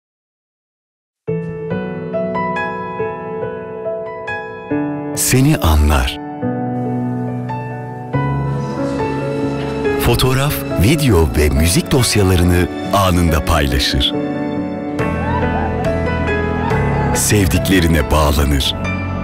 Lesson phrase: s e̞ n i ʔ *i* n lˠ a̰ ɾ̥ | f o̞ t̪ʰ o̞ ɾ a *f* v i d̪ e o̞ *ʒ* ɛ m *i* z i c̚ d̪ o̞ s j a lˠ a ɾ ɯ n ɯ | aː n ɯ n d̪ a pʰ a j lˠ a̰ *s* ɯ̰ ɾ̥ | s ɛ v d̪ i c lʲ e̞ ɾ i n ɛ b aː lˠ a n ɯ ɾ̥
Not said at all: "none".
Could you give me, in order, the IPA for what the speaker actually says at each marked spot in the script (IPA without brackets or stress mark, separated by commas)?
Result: a, f, v, y, ʃ